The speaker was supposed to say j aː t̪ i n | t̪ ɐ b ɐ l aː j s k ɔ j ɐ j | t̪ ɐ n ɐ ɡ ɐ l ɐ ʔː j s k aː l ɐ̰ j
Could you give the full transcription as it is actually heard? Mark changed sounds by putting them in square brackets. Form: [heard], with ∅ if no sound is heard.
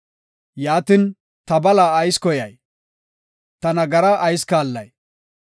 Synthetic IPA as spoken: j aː t̪ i n | t̪ ɐ b ɐ l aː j s k ɔ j ɐ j | t̪ ɐ n ɐ ɡ ɐ [ɾ] ɐ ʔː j s k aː [lː] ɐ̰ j